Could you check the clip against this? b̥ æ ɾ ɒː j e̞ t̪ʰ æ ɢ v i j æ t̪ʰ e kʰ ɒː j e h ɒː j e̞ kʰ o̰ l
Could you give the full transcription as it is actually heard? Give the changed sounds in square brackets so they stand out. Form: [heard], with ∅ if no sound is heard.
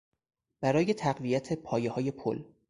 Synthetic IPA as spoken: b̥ æ ɾ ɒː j e̞ t̪ʰ æ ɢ v i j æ t̪ʰ e [pʰ] ɒː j e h ɒː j e̞ [pʰ] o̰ l